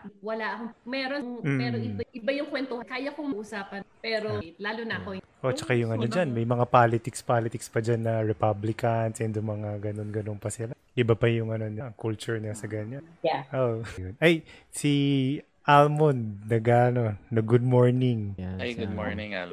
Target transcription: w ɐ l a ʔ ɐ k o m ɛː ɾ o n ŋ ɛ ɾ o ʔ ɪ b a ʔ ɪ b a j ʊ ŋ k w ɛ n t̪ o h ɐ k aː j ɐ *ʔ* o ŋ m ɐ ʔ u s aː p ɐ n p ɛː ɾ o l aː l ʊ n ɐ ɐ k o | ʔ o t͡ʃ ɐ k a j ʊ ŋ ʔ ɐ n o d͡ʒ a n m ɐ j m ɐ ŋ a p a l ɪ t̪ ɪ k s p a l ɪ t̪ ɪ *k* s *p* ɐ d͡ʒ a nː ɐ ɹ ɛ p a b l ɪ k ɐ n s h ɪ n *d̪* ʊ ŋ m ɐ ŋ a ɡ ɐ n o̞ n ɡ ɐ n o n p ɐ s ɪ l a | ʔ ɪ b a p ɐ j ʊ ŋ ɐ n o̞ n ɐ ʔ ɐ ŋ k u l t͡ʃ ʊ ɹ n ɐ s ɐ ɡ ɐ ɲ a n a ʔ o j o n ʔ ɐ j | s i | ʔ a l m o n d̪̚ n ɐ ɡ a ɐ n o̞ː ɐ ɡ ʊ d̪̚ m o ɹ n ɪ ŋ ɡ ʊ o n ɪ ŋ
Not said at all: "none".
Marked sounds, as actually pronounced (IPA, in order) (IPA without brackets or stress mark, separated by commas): k, k, p, d̪